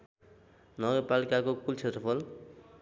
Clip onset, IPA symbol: n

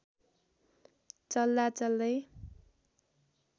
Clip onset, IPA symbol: t͡s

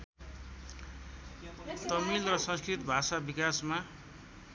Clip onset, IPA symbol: t̪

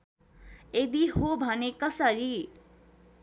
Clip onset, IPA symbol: e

